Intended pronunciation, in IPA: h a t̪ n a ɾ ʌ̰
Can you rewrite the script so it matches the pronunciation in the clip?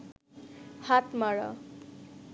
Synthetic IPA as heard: h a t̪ m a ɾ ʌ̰